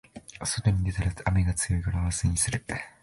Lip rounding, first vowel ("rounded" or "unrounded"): rounded